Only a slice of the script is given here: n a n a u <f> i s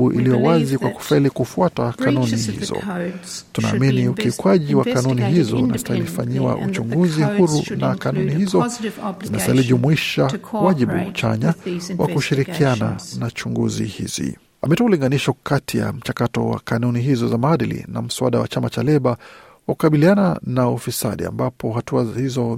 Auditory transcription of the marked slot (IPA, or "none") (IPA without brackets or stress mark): f